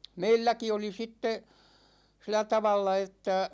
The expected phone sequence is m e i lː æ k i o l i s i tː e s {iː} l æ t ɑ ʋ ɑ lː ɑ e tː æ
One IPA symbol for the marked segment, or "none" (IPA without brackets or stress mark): i